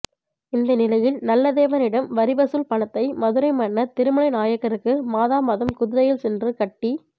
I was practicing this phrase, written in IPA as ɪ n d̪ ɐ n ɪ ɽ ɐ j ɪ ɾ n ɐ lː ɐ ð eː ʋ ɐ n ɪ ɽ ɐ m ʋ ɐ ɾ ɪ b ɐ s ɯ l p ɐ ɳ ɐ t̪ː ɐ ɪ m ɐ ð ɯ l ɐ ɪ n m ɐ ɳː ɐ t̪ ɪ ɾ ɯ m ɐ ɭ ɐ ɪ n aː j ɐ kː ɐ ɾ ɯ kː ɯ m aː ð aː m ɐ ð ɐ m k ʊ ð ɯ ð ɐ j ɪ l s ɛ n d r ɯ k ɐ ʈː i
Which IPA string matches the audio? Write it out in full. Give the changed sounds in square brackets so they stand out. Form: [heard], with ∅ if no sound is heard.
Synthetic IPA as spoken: ɪ n d̪ ɐ n ɪ [l] ɐ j ɪ [l] n ɐ lː ɐ ð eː ʋ ɐ n ɪ ɽ ɐ m ʋ ɐ ɾ ɪ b ɐ s ɯ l p ɐ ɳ ɐ t̪ː ɐ ɪ m ɐ ð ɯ [ɾ] ɐ ɪ [∅] m ɐ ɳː ɐ t̪ ɪ ɾ ɯ m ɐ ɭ ɐ ɪ n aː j ɐ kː ɐ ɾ ɯ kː ɯ m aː ð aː m ɐ ð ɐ m k ʊ ð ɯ ð ɐ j ɪ l s ɛ n d r ɯ k ɐ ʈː i

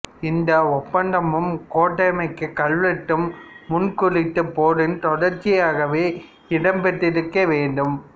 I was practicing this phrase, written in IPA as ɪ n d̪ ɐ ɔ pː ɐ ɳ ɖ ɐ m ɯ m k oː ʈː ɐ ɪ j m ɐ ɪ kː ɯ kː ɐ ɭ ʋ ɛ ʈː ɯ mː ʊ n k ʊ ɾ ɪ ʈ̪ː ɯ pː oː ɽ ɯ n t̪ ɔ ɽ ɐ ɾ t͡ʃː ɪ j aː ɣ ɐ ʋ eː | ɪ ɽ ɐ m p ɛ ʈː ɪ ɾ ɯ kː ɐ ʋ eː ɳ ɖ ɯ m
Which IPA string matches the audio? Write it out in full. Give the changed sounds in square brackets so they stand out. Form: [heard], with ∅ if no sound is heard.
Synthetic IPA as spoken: ɪ n d̪ ɐ ɔ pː ɐ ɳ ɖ ɐ m ɯ m k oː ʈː ɐ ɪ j m ɐ ɪ kː ɯ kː ɐ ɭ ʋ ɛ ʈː ɯ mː ʊ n k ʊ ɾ ɪ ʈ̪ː ɯ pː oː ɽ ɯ n t̪ ɔ ɽ ɐ ɾ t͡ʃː ɪ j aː ɣ ɐ ʋ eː | ɪ ɽ ɐ m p ɛ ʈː ɪ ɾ ɯ kː ɐ ʋ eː ɳ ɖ ɯ m

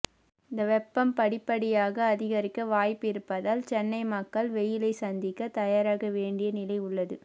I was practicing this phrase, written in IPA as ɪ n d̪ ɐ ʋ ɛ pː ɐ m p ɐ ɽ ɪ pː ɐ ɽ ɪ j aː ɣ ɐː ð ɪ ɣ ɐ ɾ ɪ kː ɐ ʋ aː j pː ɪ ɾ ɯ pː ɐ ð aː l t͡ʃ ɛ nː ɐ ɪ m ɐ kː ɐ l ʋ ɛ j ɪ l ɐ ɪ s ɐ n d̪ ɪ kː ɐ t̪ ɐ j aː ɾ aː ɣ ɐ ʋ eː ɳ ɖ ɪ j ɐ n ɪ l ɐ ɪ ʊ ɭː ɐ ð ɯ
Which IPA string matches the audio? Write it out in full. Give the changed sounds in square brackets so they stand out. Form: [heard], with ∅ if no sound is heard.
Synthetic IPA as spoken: ɪ n d̪ ɐ ʋ ɛ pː ɐ m p ɐ ɽ ɪ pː ɐ ɽ ɪ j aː ɣ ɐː ð ɪ ɣ ɐ ɾ ɪ kː ɐ ʋ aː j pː ɪ ɾ ɯ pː ɐ ð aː l t͡ʃ ɛ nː ɐ ɪ m ɐ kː ɐ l ʋ ɛ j ɪ l ɐ ɪ s ɐ n d̪ ɪ kː ɐ t̪ ɐ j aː ɾ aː ɣ ɐ ʋ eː ɳ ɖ ɪ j ɐ n ɪ l ɐ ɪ ʊ ɭː ɐ ð ɯ

